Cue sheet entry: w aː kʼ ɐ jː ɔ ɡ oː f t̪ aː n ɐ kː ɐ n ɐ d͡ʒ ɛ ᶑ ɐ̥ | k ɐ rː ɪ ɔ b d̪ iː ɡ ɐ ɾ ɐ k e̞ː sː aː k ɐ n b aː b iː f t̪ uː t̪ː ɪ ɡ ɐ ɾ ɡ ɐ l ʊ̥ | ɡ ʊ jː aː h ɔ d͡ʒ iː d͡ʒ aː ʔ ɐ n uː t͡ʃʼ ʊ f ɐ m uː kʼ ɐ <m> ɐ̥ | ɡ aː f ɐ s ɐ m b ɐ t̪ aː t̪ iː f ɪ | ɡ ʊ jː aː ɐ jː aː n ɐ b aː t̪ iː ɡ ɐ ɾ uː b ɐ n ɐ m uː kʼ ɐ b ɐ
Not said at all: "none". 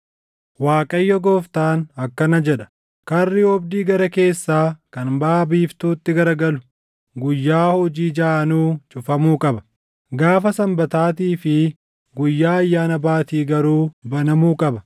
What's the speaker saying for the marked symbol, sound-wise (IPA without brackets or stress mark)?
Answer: b